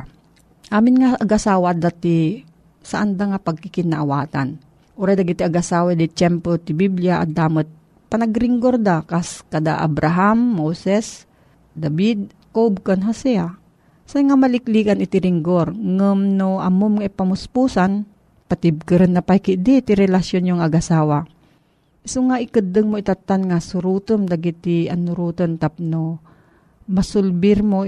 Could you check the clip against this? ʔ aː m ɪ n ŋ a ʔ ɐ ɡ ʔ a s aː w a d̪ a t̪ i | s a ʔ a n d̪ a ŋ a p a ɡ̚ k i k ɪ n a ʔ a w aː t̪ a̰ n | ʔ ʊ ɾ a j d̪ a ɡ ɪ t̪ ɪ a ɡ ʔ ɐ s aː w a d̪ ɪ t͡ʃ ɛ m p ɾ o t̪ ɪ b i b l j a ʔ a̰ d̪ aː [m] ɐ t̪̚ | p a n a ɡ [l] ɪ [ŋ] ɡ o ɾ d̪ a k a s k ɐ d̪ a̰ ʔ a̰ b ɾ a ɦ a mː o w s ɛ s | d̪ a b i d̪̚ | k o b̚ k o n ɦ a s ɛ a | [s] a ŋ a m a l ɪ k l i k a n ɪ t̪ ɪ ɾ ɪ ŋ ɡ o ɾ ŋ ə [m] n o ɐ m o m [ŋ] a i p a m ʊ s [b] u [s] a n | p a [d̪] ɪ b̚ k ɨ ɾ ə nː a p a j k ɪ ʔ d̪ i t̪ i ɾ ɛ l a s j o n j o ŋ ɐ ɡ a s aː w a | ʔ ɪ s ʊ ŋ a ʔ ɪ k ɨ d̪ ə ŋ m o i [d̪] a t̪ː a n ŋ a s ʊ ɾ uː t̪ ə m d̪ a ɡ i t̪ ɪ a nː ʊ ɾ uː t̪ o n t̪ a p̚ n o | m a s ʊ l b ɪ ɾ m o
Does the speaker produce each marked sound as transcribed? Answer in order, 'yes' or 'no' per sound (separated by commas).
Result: yes, no, yes, yes, yes, yes, no, yes, no, no